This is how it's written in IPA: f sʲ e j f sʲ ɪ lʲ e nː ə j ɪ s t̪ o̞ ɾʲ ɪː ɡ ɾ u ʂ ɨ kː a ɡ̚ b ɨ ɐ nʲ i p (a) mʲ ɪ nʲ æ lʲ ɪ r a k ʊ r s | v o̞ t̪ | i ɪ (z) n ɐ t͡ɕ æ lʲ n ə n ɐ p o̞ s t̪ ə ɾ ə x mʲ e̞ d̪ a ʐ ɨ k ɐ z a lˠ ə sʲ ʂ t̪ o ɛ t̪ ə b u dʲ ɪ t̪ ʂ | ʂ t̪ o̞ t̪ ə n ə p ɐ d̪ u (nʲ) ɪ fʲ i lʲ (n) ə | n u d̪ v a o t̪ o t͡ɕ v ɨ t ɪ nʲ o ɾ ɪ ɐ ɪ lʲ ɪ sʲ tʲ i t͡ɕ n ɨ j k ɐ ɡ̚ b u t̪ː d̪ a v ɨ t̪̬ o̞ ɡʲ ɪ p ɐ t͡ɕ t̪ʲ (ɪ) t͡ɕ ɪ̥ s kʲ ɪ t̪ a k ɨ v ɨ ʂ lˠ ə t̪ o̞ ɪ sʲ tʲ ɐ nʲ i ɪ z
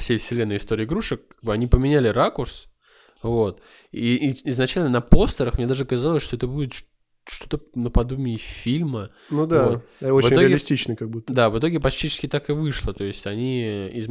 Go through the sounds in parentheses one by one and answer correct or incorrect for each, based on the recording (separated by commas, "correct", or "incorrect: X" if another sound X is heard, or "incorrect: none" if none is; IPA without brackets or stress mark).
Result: incorrect: ə, correct, incorrect: mʲ, incorrect: m, incorrect: i